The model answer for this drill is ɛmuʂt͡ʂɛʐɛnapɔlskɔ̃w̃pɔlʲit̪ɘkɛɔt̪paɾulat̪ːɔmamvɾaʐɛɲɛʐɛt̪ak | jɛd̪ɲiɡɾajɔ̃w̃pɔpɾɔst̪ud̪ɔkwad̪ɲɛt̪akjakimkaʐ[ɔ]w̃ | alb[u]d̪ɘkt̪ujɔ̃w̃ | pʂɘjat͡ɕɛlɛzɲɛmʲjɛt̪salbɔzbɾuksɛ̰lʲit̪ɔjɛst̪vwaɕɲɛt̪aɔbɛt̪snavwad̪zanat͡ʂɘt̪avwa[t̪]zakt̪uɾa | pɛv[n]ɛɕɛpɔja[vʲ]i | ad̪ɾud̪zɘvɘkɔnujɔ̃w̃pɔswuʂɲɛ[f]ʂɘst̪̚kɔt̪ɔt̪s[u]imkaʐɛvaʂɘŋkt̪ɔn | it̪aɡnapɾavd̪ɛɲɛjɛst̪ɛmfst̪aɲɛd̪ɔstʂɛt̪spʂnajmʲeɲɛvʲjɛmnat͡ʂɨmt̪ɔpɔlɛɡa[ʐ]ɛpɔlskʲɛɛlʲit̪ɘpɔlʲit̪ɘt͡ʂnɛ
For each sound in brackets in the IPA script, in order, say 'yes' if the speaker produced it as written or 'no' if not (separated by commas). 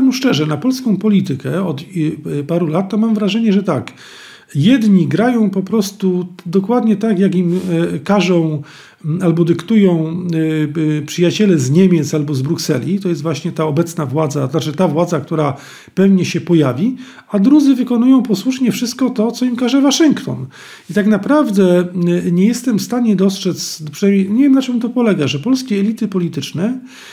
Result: no, no, no, no, yes, yes, no, yes